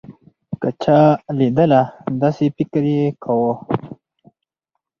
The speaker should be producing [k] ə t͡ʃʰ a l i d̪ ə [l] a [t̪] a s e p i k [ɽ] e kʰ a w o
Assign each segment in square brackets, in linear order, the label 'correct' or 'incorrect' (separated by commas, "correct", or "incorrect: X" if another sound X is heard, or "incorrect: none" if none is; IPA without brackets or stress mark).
correct, correct, incorrect: d̪, incorrect: ɾ